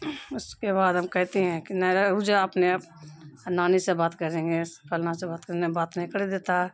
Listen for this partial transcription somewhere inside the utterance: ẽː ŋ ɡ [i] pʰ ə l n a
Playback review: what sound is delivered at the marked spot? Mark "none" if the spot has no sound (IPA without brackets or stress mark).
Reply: e